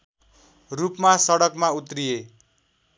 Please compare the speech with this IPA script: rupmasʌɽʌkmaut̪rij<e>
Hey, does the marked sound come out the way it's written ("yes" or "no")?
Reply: yes